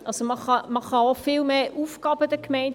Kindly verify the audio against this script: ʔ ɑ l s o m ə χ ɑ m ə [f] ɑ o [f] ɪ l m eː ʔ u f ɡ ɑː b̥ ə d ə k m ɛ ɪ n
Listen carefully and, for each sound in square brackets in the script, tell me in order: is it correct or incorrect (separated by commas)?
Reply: incorrect, correct